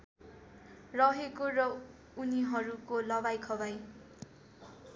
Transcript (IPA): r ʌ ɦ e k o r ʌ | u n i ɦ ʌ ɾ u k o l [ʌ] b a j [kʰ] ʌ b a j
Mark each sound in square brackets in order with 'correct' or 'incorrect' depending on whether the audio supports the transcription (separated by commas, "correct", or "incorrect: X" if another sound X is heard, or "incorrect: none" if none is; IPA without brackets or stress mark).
correct, correct